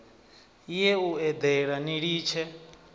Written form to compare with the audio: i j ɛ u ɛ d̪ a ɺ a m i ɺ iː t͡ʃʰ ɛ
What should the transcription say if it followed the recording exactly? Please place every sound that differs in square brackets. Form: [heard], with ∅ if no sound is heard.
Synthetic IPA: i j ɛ u ɛ d̪ [ɛ] ɺ a [n] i ɺ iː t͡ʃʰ ɛ